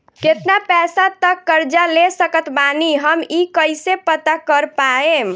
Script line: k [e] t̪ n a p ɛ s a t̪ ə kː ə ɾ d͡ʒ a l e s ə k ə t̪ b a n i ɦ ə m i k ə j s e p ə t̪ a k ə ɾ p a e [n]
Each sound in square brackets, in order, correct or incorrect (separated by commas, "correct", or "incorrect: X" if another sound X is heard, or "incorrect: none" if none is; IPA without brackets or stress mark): correct, incorrect: m